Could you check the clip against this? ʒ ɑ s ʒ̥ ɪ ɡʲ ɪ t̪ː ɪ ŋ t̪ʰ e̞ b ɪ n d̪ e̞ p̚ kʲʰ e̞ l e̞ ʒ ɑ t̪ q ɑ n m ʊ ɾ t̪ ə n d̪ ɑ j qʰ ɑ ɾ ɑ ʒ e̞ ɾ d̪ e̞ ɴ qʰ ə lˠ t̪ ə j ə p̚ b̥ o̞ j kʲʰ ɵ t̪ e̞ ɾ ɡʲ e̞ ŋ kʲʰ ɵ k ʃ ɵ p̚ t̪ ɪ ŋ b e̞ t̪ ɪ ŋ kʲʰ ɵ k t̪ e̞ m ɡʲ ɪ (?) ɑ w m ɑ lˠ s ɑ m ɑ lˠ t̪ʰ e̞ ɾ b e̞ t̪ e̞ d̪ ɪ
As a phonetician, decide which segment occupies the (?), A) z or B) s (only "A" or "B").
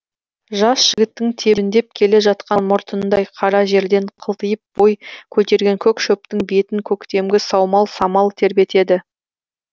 B